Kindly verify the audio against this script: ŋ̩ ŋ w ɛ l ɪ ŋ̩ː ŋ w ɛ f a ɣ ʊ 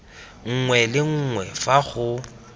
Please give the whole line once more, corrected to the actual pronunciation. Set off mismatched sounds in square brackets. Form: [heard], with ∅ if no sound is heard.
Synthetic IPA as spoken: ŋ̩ ŋ w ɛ l ɪ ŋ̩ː ŋ w ɛ f a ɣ ʊ